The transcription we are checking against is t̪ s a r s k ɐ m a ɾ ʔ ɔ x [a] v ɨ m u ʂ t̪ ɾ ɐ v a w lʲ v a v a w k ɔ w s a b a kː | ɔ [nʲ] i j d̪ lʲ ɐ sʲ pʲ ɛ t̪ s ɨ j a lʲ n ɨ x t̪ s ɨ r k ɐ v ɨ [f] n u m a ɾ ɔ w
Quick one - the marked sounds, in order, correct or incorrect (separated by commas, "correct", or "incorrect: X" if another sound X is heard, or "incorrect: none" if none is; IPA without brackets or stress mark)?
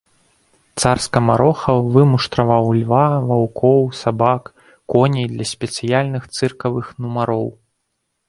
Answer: incorrect: ɐ, correct, incorrect: x